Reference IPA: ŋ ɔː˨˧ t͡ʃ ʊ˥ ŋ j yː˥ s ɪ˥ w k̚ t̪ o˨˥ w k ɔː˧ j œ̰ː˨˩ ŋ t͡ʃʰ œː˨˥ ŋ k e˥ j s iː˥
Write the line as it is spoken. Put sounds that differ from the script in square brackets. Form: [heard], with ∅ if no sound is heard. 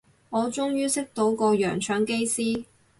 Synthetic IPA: ŋ ɔː˨˧ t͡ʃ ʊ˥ ŋ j yː˥ s ɪ˥ [∅] k̚ t̪ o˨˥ w k ɔː˧ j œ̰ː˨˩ ŋ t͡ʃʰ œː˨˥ ŋ k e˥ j s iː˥